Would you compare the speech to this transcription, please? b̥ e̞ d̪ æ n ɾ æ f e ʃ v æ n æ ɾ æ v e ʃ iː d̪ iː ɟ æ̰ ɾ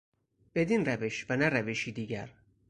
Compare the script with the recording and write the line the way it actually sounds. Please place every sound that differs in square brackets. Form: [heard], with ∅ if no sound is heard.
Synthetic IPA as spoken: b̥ e̞ d̪ [i] n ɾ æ [v] e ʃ v æ n æ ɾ æ v e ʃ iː d̪ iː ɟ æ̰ ɾ

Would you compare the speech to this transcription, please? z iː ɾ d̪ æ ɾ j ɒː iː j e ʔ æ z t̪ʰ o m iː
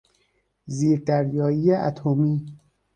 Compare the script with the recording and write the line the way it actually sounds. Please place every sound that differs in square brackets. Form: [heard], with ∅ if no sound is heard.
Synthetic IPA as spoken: z iː ɾ d̪ æ ɾ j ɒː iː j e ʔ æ [∅] t̪ʰ o m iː

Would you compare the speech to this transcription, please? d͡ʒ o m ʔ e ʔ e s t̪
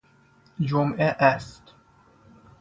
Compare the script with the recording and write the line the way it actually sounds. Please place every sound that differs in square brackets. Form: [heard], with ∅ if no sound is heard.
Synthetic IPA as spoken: d͡ʒ o m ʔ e ʔ [æ] s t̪

